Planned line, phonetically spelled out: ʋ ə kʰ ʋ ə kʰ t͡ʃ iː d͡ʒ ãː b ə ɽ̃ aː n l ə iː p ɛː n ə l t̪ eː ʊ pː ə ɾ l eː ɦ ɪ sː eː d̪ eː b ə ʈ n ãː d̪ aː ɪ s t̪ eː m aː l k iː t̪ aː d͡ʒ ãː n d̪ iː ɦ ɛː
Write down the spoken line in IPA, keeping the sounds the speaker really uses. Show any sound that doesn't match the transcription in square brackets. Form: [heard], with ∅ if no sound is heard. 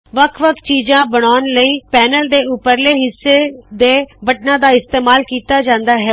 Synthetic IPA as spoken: ʋ ə kʰ ʋ ə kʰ t͡ʃ iː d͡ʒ ãː b ə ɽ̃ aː n l ə iː p ɛː n ə l [d̪] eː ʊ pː ə ɾ l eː ɦ ɪ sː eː d̪ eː b ə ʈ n ãː d̪ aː ɪ s t̪ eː m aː l k iː t̪ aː d͡ʒ ãː n d̪ [aː] ɦ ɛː

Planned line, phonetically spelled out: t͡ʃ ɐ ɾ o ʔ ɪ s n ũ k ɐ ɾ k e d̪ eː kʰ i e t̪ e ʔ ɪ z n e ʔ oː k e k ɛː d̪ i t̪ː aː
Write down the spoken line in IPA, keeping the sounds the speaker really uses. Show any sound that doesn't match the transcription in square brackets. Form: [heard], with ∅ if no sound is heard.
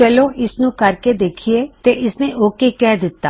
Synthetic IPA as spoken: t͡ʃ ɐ [l] o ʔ ɪ s n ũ k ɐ ɾ k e d̪ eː kʰ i e t̪ e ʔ ɪ [s] n e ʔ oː k e k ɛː d̪ [ɪ] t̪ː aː

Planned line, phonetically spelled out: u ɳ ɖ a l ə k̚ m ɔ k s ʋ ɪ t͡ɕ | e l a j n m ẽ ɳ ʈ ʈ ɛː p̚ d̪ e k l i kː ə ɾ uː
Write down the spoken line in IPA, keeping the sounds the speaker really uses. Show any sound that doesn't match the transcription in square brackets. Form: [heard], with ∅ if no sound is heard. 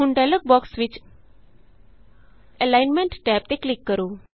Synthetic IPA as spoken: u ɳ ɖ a l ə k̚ [b] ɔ k s ʋ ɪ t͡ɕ | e l a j n m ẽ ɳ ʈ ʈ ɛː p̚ [t̪] e k l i kː ə ɾ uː

